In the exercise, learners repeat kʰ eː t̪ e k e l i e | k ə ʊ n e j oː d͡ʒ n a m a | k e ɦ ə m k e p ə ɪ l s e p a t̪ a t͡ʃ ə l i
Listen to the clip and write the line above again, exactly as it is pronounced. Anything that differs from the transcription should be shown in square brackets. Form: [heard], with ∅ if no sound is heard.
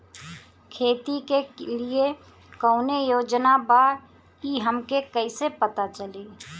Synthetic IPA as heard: kʰ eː t̪ [i] k e l i e | k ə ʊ n e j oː d͡ʒ n a [b] a | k [i] ɦ ə m k e [k] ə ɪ [∅] s e p [ə] t̪ a t͡ʃ ə l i

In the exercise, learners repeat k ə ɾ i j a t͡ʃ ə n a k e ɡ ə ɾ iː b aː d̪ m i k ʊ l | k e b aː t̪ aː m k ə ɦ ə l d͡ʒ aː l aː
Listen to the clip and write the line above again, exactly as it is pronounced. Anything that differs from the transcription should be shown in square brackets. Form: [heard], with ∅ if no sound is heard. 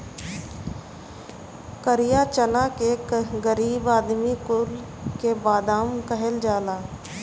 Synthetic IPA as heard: k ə ɾ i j a t͡ʃ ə n a k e ɡ ə ɾ iː b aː d̪ m i k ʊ l | k e b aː [d̪] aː m k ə ɦ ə l d͡ʒ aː l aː

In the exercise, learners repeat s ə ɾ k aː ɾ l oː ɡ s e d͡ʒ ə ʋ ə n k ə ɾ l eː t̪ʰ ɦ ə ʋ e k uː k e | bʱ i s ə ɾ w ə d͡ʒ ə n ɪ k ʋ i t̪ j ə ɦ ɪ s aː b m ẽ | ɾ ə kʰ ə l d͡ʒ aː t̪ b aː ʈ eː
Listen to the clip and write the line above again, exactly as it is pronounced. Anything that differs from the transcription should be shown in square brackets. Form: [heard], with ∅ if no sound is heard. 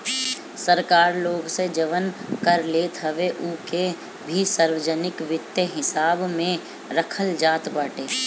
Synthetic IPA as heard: s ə ɾ k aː ɾ l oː ɡ s e d͡ʒ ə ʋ ə n k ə ɾ l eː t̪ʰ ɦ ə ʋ e [ʔ] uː k e | bʱ i s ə ɾ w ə d͡ʒ ə n ɪ k ʋ [ɪ] t̪ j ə ɦ ɪ s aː b m ẽ | ɾ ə kʰ ə l d͡ʒ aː t̪ b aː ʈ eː

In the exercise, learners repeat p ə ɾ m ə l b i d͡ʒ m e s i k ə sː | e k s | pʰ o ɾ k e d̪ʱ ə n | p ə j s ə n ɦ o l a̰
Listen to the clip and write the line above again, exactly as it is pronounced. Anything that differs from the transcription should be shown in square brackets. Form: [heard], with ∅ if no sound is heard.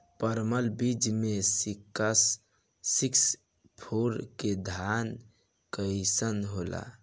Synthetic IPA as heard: p ə ɾ m ə l b i d͡ʒ m e s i k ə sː | [i] k s | pʰ o ɾ k e d̪ʱ [a] n | [k] ə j s ə n ɦ o l a̰

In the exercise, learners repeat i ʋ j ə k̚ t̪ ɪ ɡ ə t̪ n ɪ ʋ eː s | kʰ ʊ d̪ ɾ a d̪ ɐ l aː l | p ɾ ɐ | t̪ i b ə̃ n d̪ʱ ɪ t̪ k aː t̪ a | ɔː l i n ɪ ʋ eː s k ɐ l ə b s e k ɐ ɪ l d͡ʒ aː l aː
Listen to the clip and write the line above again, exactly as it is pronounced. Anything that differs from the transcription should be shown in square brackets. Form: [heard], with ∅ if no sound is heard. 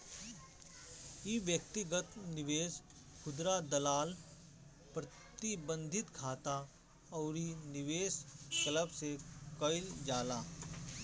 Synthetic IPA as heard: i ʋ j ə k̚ t̪ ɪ ɡ ə t̪ n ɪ ʋ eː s | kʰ ʊ d̪ ɾ a d̪ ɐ l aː l | p ɾ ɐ | t̪ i b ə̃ n d̪ʱ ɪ t̪ [kʰ] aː t̪ a | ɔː [ɾ] i n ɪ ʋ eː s k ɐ l ə b s e k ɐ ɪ l d͡ʒ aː l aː

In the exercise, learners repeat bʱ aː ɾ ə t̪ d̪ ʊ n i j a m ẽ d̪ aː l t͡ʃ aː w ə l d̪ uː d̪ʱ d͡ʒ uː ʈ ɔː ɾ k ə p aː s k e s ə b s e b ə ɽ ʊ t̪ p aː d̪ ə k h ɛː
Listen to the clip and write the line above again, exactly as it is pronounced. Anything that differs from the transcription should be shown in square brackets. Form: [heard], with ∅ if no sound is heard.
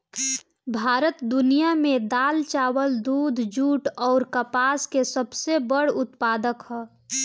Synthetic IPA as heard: bʱ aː ɾ ə t̪ d̪ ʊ n i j a m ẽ d̪ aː l t͡ʃ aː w ə l d̪ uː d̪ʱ d͡ʒ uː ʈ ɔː ɾ k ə p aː s k e s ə b s e b ə ɽ ʊ t̪ p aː d̪ ə k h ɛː

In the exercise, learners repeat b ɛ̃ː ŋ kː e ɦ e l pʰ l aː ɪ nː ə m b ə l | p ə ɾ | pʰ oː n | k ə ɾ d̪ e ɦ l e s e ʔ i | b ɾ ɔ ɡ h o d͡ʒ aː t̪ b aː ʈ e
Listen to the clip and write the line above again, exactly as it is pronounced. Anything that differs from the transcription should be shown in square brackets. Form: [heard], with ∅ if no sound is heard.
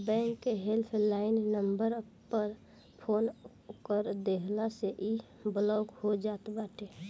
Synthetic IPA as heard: b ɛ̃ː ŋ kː e ɦ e l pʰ l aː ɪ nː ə m b ə [ɾ] | p ə ɾ | pʰ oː n | k ə ɾ d̪ e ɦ l [a] s e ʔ i | b [l] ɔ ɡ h o d͡ʒ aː t̪ b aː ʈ e

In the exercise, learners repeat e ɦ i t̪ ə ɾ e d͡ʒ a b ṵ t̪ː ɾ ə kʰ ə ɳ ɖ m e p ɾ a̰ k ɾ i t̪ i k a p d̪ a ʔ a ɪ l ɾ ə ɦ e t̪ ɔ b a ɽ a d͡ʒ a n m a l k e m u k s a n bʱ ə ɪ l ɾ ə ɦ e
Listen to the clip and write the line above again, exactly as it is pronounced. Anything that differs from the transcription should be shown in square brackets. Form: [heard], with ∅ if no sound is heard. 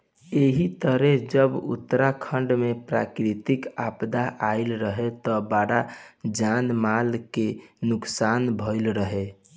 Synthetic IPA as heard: e ɦ i t̪ ə ɾ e d͡ʒ [ə] b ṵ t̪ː ɾ [a] kʰ ə ɳ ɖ m e p ɾ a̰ k ɾ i t̪ i k a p d̪ a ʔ a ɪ l ɾ ə ɦ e t̪ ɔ b a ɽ a d͡ʒ a n m a l k e [n] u k s a n bʱ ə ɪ l ɾ ə ɦ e

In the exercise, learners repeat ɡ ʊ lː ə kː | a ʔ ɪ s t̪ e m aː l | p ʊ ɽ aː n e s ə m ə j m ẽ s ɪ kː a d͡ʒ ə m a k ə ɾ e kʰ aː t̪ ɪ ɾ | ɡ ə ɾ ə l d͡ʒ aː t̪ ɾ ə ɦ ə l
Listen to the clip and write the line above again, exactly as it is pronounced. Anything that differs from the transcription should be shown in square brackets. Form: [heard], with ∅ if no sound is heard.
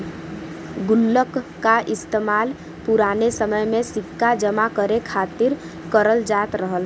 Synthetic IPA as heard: ɡ ʊ lː ə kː | a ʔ ɪ s t̪ e m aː l | p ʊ [ɾ] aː n e s ə m ə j m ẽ s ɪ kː a d͡ʒ ə m a k ə ɾ e kʰ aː t̪ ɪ ɾ | [k] ə ɾ ə l d͡ʒ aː t̪ ɾ ə ɦ ə l

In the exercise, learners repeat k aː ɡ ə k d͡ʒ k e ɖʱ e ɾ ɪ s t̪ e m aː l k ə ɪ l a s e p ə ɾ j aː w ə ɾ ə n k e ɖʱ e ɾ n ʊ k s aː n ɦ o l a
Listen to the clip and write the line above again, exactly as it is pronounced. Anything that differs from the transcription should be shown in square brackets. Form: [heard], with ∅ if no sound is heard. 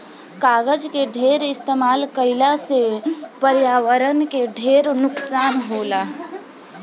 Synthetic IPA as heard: k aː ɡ ə [∅] d͡ʒ k e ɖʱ e ɾ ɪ s t̪ e m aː l k ə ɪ l a s e p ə ɾ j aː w ə ɾ ə n k e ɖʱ e ɾ n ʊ k s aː n ɦ o l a

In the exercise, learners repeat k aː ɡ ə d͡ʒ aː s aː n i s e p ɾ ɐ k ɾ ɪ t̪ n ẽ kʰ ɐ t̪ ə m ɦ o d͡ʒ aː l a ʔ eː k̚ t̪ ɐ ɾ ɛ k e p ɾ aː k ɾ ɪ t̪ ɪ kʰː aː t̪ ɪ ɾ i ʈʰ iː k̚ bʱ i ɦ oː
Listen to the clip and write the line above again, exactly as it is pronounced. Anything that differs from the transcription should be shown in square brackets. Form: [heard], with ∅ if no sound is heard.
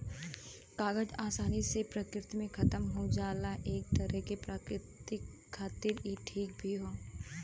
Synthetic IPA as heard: k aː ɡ ə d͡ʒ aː s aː n i s e p ɾ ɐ k ɾ ɪ t̪ [m] ẽ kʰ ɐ t̪ ə m ɦ o d͡ʒ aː l a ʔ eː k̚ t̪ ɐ ɾ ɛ k e p ɾ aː k ɾ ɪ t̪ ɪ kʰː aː t̪ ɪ ɾ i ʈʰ iː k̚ bʱ i ɦ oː

